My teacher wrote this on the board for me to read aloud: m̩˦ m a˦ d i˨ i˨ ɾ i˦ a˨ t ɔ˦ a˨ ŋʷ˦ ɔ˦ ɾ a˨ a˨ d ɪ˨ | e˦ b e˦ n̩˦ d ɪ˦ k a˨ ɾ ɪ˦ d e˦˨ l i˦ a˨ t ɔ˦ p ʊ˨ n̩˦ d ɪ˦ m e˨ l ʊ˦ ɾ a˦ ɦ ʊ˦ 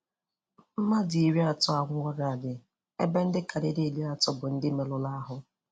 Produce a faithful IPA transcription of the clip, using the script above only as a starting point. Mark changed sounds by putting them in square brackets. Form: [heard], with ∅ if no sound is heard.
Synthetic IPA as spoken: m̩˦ m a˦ d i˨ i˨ ɾ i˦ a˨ t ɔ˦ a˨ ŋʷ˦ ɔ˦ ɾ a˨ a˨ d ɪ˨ | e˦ b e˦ n̩˦ d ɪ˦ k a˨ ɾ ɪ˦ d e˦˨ l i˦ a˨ t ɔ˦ [b] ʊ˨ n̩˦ d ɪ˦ m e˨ l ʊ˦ [l] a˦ ɦ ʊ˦